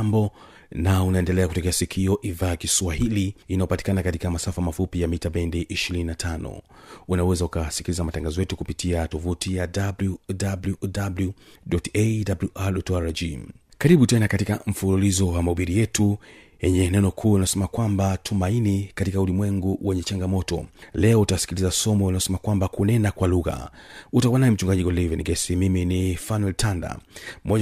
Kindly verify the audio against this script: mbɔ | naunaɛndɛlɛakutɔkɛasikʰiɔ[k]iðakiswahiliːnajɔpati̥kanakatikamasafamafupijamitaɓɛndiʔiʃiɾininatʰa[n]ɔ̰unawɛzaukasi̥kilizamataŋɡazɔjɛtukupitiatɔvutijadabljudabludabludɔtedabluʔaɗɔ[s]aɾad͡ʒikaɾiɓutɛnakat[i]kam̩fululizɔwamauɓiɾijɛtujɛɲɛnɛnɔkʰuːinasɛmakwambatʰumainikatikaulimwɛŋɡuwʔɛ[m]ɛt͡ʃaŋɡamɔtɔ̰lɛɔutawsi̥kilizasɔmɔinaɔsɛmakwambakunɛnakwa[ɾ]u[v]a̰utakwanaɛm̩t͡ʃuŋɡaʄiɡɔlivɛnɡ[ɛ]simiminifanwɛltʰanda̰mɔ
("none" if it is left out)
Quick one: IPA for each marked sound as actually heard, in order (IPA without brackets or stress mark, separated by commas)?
ʔ, n, t, i, ɲ, l, ɣ, ɛ